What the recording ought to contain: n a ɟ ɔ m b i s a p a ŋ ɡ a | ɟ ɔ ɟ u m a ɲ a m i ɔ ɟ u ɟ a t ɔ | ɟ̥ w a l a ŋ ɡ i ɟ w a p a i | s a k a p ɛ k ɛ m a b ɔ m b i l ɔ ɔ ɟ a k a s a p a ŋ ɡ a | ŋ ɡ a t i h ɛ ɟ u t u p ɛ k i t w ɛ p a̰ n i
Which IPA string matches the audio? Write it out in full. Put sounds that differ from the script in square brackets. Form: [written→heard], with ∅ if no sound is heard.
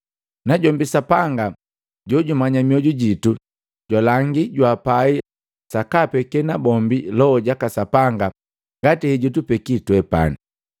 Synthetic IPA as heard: n a ɟ ɔ m b i s a p a ŋ ɡ a | ɟ ɔ ɟ u m a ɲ a m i ɔ ɟ u ɟ [a→i] t [ɔ→u] | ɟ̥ w a l a ŋ ɡ i ɟ w a p a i | s a k a p ɛ k ɛ [m→n] a b ɔ m b i l ɔ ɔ ɟ a k a s a p a ŋ ɡ a | ŋ ɡ a t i h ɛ ɟ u t u p ɛ k i t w ɛ p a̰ n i